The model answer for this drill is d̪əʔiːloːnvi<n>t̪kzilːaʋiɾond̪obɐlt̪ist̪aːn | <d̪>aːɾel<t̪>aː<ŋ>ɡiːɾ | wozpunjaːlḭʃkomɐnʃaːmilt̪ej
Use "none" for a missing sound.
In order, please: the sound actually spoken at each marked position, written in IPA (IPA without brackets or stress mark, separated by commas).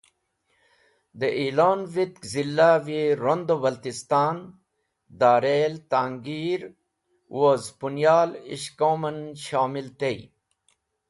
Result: none, d̪, t̪, ŋ